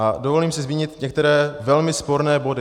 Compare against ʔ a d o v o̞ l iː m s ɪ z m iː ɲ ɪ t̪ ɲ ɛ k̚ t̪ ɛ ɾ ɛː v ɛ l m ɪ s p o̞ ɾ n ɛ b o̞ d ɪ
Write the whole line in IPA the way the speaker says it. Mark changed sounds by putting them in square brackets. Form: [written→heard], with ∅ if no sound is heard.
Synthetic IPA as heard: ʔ a d o v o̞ l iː m s ɪ z m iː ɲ ɪ t̪ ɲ ɛ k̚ t̪ ɛ ɾ ɛː v ɛ l m ɪ s p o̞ ɾ n [ɛ→ɛː] b o̞ d ɪ